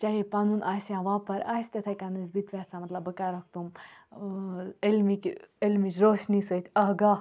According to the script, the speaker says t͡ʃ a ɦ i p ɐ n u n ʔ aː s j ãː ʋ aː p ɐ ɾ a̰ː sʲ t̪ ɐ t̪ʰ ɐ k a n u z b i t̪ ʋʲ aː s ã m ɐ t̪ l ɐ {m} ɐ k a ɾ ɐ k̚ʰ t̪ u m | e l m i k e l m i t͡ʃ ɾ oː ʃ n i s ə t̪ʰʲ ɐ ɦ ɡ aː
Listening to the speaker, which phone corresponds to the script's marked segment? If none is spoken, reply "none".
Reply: b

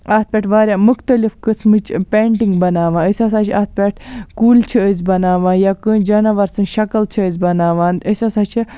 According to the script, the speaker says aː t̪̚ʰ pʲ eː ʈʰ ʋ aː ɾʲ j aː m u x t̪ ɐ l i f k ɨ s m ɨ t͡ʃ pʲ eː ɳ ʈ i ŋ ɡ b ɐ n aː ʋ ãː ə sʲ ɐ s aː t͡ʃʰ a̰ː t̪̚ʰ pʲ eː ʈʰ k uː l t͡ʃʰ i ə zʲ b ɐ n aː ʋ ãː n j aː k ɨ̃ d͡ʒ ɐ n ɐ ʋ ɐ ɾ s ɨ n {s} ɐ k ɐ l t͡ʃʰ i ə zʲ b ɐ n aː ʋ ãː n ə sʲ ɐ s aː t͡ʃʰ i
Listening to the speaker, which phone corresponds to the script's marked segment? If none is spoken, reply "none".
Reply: ʃ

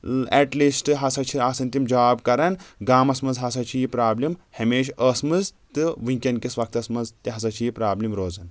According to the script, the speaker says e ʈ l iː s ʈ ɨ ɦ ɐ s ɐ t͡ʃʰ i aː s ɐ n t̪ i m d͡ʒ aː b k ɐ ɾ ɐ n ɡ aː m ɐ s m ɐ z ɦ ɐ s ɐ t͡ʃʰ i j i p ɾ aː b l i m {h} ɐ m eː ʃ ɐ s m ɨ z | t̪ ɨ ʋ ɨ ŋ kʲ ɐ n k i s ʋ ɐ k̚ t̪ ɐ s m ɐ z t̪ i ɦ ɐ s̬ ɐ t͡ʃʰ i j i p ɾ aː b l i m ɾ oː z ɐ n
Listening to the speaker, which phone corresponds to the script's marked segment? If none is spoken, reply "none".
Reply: h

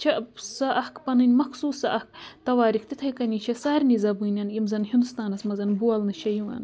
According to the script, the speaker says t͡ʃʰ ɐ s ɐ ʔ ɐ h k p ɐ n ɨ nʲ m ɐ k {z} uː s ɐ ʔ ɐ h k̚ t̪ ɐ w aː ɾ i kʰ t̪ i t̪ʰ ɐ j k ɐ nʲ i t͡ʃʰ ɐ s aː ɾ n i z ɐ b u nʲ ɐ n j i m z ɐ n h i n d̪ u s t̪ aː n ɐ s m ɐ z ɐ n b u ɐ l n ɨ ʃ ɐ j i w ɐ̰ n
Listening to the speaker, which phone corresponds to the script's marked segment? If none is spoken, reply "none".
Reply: s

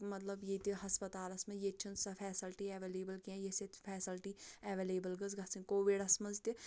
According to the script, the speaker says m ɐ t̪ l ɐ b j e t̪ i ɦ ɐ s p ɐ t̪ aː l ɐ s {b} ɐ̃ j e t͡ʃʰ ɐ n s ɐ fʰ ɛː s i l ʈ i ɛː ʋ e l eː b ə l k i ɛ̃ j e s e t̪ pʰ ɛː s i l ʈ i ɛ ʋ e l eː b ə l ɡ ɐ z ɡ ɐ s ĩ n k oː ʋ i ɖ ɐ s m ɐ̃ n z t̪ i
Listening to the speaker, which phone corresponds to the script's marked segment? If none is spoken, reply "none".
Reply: m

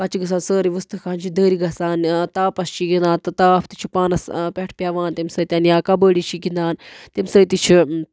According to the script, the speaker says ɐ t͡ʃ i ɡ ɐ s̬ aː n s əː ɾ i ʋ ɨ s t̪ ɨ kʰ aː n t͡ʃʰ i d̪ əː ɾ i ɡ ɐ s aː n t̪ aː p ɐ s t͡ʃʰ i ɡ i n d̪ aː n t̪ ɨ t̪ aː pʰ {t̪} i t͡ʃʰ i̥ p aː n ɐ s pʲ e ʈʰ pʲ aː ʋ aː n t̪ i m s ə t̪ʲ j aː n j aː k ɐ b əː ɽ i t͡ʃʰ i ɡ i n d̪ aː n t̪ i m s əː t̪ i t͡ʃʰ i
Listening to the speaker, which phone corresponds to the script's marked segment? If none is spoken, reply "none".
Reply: t̪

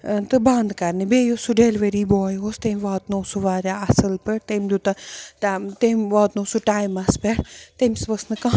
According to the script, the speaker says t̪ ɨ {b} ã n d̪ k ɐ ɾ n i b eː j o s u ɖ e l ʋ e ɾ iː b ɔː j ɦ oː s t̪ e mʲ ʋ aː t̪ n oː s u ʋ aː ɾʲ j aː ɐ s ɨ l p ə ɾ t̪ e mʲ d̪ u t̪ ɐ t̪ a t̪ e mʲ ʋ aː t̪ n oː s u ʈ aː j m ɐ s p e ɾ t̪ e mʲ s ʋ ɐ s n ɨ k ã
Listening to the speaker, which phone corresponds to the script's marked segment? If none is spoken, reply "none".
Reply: b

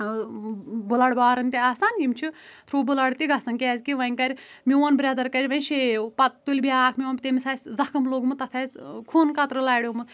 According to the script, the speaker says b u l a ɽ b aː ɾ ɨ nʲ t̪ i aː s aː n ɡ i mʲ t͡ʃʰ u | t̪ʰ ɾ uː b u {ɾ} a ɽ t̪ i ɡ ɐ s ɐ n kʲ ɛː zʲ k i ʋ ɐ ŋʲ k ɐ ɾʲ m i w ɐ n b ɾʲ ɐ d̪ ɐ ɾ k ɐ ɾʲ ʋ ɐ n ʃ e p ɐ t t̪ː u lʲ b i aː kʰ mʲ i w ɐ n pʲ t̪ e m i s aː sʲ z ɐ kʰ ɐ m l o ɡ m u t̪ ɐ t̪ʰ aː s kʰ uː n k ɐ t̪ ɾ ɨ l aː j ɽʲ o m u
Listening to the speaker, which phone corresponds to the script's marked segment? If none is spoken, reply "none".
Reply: l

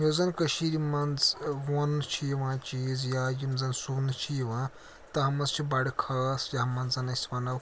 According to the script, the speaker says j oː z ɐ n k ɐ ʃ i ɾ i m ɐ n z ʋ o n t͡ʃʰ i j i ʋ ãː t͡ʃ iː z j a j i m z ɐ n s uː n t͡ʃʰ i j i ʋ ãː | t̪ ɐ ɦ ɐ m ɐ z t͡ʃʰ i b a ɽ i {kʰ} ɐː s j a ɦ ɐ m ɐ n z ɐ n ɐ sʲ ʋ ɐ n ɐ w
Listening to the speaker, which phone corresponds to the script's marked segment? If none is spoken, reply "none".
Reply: kʰ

